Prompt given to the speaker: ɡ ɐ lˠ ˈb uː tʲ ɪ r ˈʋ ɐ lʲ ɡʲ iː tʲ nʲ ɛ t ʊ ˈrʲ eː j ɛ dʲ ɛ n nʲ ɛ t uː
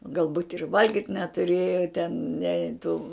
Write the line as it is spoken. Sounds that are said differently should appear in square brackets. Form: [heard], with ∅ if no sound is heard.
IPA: ɡ ɐ lˠ ˈb uː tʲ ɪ r ˈʋ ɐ lʲ ɡʲ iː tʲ nʲ ɛ t ʊ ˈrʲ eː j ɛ [tʲ] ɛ n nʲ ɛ t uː